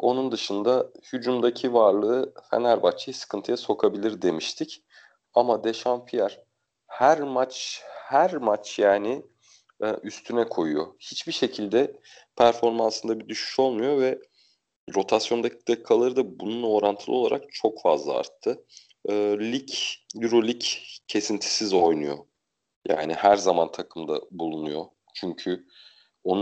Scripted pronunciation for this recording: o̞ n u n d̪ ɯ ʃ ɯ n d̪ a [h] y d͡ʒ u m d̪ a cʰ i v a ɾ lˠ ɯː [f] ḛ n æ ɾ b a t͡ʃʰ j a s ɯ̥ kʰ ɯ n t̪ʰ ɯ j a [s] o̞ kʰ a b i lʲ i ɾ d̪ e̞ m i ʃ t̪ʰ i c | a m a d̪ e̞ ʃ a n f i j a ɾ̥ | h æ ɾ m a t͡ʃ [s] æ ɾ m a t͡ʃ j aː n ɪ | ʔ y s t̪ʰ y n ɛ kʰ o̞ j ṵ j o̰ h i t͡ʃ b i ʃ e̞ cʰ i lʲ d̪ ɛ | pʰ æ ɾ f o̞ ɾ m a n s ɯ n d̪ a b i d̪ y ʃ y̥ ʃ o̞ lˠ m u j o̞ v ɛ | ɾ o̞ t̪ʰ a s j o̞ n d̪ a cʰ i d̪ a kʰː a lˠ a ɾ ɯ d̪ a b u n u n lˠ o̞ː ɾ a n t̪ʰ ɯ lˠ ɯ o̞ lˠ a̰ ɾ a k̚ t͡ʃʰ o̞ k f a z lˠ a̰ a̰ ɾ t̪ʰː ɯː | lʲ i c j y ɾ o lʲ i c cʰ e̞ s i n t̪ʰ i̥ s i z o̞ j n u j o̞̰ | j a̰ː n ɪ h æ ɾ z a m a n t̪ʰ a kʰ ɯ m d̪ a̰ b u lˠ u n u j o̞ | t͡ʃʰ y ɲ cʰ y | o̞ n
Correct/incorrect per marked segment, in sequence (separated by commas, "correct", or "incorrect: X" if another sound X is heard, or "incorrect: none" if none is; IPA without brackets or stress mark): correct, correct, correct, incorrect: h